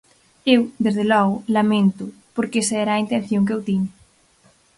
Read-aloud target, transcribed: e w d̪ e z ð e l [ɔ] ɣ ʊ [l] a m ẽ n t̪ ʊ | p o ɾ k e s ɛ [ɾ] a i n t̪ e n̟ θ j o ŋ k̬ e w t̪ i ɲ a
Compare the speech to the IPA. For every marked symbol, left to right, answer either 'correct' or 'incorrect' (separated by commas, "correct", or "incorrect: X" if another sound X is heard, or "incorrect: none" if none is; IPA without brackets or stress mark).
correct, correct, correct